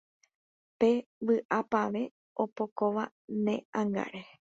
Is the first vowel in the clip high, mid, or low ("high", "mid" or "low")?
mid